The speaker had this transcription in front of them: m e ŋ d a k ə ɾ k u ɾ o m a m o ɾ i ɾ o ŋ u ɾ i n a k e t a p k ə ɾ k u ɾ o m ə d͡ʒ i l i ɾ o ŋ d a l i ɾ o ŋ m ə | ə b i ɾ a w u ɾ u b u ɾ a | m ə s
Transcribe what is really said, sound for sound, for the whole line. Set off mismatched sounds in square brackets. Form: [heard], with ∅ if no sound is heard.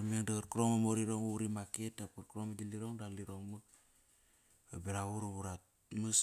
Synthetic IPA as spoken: m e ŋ d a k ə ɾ k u ɾ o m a m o ɾ i ɾ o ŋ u ɾ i [m] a k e t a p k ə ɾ k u ɾ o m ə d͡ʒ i l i ɾ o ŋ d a l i ɾ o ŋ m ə | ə b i ɾ a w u ɾ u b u ɾ a | m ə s